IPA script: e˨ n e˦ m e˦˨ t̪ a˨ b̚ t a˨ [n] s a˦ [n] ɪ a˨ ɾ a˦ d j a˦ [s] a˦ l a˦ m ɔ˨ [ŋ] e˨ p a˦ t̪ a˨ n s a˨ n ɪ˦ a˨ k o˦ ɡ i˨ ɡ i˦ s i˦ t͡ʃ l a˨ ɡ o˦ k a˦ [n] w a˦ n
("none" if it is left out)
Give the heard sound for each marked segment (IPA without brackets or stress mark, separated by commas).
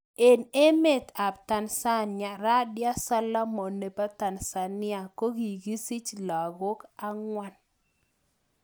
n, n, s, n, ŋ